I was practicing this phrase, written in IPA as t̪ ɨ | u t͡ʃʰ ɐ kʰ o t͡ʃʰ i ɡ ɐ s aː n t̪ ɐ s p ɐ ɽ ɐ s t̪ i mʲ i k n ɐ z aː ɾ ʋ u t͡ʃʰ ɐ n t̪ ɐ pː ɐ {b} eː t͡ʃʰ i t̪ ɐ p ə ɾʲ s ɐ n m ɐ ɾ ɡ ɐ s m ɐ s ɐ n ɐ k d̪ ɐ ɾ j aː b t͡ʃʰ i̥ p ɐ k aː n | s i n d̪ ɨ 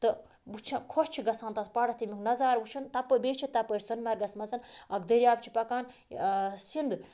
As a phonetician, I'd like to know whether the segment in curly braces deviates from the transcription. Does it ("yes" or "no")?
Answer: no